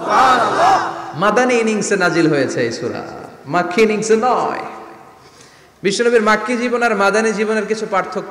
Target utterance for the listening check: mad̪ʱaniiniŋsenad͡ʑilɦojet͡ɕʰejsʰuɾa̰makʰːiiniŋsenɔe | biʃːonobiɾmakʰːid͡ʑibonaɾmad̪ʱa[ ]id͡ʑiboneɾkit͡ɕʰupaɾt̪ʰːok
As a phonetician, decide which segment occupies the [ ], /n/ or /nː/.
n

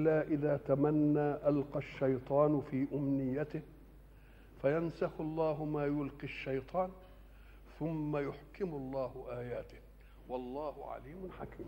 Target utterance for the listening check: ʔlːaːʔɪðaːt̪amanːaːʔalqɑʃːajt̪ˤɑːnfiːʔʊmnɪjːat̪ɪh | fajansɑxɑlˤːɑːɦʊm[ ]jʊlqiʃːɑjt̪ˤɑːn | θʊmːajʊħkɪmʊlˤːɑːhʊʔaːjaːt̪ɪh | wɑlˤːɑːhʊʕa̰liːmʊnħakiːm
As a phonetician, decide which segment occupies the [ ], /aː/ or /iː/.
aː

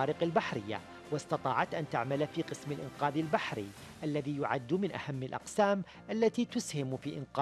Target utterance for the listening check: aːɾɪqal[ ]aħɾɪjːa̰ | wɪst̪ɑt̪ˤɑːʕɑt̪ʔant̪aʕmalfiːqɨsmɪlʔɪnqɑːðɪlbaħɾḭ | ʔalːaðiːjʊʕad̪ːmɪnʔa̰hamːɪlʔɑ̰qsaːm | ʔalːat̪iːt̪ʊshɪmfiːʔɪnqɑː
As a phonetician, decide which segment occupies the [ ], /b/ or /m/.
b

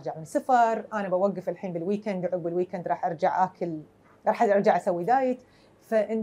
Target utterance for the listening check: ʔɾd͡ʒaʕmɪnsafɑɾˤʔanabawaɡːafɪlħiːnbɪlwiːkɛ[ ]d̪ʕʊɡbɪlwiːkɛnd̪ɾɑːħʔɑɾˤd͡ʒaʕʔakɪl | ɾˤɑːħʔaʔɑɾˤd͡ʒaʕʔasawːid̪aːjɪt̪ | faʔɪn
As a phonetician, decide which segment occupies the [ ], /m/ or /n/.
n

